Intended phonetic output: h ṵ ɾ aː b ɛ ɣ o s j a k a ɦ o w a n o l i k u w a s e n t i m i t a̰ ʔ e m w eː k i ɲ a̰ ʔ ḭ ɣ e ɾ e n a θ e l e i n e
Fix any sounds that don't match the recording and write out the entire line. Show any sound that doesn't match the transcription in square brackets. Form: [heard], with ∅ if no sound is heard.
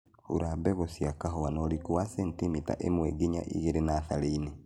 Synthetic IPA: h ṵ ɾ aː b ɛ ɣ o s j a k a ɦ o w a n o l i k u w a s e n t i m i t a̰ ʔ e m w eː [ɡ] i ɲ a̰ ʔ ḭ ɣ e ɾ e n a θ [a] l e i n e